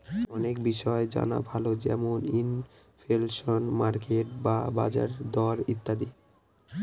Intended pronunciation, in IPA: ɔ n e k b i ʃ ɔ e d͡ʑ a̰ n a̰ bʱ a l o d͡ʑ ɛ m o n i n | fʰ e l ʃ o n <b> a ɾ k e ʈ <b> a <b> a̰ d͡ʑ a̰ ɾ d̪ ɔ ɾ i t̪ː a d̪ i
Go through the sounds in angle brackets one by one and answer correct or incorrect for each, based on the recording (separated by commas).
incorrect, correct, correct